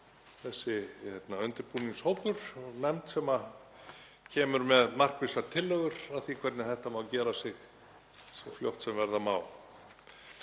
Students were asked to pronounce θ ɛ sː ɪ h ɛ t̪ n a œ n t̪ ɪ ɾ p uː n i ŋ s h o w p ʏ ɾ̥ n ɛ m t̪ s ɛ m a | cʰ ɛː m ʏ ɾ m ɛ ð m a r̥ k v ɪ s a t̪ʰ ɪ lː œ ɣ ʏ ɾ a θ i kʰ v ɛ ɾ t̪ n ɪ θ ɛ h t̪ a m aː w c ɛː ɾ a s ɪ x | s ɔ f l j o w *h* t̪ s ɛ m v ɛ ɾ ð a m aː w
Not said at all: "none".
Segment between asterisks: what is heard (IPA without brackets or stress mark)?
h